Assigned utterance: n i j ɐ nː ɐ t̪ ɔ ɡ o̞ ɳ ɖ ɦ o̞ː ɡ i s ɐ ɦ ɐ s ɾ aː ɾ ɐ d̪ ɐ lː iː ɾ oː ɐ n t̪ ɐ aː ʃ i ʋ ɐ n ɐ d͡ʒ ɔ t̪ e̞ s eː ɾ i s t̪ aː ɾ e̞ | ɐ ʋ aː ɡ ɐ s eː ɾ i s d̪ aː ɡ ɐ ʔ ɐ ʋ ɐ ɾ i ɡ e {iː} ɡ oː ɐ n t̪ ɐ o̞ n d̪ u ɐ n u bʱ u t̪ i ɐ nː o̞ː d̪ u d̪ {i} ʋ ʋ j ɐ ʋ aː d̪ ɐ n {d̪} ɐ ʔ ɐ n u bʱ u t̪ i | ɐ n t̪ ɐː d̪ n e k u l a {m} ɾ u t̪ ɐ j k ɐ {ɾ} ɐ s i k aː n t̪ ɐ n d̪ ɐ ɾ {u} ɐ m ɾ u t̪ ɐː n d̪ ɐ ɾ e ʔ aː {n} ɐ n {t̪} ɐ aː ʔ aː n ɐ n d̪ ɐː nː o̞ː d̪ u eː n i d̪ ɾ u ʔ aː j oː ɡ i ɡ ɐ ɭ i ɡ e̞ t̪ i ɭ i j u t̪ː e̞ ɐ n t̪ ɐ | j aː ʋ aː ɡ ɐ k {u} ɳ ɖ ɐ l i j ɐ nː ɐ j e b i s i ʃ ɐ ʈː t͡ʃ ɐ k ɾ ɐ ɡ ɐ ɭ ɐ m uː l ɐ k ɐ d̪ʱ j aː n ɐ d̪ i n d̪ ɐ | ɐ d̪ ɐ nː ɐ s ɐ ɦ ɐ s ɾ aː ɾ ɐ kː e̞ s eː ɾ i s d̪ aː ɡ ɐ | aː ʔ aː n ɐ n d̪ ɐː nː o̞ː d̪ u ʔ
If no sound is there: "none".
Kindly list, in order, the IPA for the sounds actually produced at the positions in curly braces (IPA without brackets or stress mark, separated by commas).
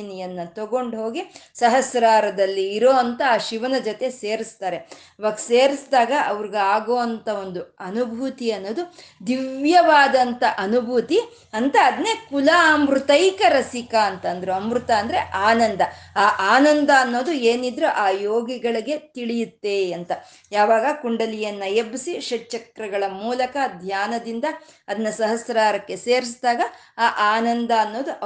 aː, i, t̪, m, ɾ, u, n, d̪, u